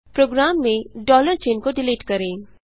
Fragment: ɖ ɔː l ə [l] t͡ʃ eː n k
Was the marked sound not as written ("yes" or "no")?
yes